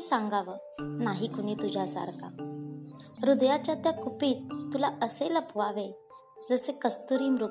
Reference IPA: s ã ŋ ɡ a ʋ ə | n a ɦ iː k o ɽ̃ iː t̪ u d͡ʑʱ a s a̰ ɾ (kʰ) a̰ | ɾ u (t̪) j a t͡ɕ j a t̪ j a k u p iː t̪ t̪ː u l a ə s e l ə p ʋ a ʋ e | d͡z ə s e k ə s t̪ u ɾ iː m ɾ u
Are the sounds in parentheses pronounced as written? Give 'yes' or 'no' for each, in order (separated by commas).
no, no